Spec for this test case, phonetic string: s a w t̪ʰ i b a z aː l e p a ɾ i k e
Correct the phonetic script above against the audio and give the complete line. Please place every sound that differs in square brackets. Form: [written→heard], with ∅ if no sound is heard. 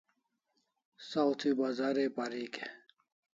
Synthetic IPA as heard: s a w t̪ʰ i b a z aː [l→ɾ] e p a ɾ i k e